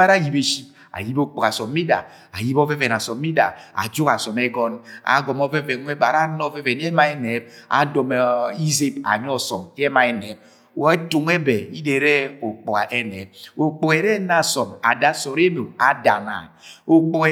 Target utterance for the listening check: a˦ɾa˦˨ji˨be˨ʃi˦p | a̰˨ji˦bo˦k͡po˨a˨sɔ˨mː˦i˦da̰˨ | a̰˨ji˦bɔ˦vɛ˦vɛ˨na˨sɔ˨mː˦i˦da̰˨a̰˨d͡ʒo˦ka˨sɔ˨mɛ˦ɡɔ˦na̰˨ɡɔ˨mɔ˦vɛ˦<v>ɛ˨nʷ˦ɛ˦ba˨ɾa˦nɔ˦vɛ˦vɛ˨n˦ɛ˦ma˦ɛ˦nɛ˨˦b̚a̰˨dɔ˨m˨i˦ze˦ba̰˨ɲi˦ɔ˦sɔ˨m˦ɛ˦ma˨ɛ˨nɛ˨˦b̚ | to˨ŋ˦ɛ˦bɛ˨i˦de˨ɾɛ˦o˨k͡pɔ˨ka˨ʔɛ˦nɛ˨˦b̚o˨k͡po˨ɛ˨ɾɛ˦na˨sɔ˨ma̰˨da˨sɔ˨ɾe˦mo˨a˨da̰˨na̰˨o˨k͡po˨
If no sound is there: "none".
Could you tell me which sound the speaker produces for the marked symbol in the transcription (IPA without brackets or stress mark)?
v